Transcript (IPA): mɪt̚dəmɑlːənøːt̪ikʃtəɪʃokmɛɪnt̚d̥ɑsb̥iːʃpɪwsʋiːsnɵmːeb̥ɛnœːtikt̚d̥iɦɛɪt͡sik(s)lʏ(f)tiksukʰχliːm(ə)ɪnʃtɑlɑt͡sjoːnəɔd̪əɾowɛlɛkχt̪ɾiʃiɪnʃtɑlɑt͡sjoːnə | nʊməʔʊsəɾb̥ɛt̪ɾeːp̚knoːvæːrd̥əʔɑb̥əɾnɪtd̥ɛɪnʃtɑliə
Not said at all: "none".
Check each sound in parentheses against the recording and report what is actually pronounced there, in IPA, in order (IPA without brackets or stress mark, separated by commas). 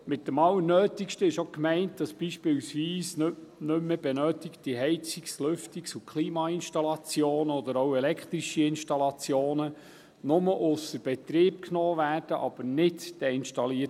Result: s, f, ɑ